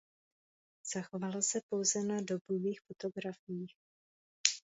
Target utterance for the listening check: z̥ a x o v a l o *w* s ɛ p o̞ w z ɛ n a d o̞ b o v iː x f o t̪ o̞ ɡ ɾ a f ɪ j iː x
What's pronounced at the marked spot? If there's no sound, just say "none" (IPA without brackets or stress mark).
none